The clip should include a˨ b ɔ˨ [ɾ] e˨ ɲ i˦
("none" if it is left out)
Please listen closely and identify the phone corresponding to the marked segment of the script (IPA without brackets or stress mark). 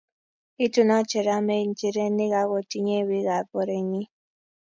ɾ